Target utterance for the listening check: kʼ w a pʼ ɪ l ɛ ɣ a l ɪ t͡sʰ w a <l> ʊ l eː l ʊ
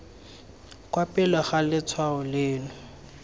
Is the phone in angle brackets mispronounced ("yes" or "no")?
yes